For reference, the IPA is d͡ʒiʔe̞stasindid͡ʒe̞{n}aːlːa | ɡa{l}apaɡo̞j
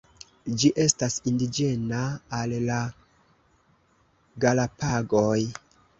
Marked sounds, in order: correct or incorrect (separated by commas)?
correct, correct